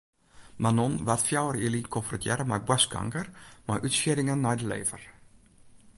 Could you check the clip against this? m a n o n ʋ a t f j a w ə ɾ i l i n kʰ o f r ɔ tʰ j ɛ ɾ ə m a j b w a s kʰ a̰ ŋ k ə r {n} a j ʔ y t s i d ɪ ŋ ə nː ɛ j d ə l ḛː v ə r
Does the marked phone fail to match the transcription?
yes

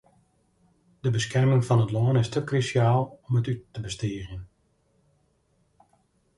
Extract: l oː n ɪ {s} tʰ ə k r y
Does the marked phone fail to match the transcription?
no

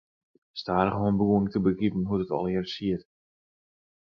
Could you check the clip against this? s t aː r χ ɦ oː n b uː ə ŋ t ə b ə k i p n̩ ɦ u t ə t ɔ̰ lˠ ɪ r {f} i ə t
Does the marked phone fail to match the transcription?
yes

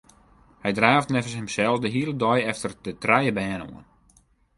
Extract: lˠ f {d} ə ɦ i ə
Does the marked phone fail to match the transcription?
no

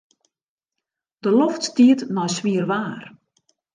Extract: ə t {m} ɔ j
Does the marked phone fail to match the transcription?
yes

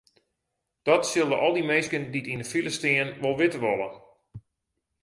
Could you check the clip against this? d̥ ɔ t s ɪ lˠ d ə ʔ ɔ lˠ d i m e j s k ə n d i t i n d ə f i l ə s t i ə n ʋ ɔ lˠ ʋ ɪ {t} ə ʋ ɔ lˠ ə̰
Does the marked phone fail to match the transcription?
no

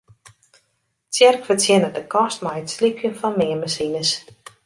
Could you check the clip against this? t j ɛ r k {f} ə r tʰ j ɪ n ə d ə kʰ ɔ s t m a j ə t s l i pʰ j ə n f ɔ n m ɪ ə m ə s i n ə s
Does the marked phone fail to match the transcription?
no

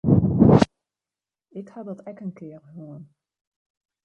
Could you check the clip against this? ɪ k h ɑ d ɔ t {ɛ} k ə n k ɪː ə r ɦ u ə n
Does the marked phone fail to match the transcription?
no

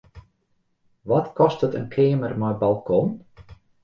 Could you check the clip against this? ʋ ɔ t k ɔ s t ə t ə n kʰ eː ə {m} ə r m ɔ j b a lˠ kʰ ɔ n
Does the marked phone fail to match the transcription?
no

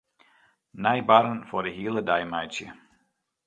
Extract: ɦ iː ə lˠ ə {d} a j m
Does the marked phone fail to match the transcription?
no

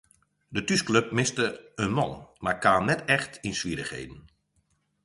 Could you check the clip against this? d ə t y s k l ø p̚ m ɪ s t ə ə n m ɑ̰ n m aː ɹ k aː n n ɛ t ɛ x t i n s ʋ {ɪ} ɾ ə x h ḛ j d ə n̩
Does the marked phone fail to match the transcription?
yes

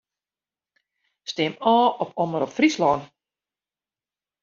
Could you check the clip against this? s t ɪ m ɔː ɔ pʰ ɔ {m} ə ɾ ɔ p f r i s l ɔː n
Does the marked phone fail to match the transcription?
no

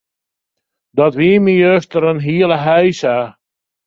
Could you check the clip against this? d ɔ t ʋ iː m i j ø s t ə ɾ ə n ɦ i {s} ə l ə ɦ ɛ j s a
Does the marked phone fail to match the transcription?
yes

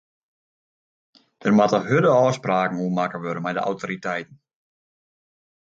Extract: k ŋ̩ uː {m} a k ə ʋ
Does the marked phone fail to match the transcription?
no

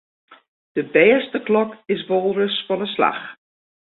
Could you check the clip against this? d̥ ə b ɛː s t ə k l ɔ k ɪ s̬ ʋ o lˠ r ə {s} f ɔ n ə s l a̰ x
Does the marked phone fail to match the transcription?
no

